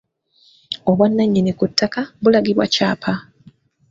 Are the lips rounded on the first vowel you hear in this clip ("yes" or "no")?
yes